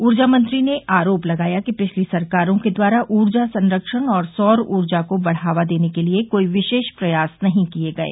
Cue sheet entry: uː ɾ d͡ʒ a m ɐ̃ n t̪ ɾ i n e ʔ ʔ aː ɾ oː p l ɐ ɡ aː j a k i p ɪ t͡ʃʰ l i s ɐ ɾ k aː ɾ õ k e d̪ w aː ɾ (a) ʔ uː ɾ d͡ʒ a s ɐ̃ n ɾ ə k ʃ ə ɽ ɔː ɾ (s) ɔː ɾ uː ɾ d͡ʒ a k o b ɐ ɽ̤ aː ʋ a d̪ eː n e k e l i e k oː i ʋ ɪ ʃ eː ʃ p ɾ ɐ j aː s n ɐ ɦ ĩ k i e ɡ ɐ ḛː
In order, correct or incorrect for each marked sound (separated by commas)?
correct, correct